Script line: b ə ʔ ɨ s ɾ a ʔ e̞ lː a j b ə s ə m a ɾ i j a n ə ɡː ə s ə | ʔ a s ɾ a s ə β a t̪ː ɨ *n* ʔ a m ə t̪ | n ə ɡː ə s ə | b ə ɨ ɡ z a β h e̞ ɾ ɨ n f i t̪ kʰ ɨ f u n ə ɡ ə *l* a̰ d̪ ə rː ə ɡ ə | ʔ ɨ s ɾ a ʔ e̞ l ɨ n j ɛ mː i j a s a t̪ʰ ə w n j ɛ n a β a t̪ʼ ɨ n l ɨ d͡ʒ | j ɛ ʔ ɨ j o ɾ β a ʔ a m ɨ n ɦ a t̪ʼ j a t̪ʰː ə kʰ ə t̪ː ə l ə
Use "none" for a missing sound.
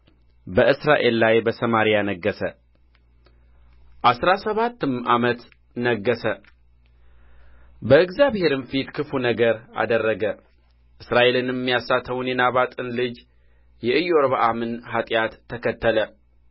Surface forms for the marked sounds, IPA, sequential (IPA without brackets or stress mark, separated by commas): m, ɾ